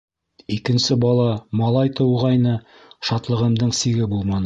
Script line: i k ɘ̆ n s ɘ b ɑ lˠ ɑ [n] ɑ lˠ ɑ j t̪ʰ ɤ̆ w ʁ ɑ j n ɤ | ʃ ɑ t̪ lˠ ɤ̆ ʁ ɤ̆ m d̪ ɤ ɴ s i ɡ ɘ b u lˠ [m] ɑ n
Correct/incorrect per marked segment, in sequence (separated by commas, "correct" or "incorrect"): incorrect, correct